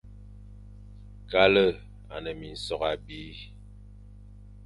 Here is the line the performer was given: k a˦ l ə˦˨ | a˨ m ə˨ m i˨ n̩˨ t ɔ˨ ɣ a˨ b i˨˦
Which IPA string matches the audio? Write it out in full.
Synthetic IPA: k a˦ l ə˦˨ | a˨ n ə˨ m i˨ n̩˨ s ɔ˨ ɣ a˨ b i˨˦